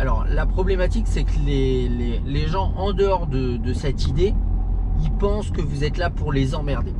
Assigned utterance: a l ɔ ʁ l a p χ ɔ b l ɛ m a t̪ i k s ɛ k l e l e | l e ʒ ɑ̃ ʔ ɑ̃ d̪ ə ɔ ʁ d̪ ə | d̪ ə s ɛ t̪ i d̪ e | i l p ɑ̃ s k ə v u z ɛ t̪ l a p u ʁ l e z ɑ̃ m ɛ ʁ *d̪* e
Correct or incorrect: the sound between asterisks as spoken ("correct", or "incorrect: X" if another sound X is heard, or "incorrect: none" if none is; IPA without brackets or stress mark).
correct